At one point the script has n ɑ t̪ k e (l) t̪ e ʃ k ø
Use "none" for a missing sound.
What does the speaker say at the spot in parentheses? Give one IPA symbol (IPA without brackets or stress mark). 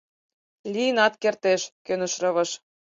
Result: r